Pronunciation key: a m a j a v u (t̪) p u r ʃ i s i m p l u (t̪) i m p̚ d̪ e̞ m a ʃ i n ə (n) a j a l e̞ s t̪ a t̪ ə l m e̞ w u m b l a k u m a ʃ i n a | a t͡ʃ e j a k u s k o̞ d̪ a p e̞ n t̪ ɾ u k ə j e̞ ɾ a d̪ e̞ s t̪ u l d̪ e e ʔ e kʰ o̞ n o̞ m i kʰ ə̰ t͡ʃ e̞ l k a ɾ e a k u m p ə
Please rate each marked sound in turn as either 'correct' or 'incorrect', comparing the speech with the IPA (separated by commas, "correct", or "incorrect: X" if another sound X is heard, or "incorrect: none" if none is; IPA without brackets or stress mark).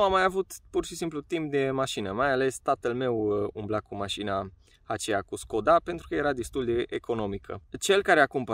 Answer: correct, correct, incorrect: m